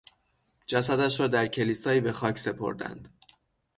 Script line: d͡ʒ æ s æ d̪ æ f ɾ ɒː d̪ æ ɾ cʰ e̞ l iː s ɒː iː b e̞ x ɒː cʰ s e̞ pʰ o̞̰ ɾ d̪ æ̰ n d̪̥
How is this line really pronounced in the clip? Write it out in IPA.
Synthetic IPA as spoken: d͡ʒ æ s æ d̪ æ ʃ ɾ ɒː d̪ æ ɾ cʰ e̞ l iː s ɒː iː b e̞ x ɒː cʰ s e̞ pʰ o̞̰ ɾ d̪ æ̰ n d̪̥